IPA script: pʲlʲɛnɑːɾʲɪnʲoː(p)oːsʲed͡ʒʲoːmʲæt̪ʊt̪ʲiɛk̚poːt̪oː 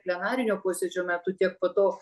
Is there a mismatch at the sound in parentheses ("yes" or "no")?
no